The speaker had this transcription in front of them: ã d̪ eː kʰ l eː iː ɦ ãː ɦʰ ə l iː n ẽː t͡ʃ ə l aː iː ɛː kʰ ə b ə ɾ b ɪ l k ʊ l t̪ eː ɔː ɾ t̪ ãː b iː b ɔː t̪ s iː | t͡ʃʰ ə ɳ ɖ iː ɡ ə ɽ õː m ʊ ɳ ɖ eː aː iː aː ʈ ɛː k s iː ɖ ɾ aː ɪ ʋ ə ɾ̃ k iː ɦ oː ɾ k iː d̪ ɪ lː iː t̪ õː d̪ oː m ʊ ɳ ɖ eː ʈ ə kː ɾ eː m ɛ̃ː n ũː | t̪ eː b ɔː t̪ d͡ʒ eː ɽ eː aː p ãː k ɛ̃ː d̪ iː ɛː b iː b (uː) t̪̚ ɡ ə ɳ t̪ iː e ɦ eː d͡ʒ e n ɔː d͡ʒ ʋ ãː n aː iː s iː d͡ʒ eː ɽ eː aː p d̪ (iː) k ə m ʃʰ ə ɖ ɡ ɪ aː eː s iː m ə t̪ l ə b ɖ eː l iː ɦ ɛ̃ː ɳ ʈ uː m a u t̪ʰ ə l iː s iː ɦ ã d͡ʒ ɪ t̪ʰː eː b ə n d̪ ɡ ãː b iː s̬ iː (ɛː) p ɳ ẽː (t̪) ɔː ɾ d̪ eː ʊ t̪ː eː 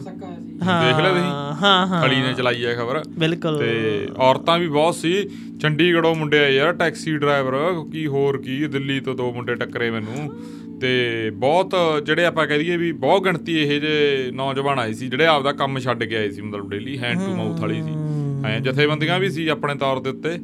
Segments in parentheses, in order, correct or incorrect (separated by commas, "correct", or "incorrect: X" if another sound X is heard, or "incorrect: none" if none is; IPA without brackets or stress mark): incorrect: ɔː, incorrect: aː, incorrect: aː, correct